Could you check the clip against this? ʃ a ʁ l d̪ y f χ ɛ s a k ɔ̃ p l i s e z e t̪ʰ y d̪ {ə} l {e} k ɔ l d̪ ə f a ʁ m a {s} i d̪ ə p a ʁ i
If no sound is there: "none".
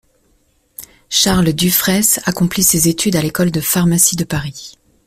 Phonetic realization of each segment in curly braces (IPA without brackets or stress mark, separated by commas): a, e, s